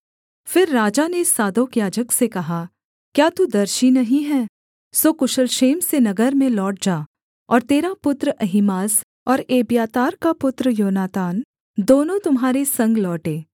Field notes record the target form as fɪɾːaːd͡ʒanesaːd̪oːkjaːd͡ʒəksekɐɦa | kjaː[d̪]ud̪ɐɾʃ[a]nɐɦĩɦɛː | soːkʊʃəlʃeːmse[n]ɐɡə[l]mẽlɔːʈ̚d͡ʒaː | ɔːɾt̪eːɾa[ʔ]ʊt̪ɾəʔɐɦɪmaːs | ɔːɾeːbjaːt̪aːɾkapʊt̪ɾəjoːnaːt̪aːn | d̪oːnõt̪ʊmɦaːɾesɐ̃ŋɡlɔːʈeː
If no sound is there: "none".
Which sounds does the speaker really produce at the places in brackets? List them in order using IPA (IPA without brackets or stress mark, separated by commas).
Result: t̪, i, n, ɾ, p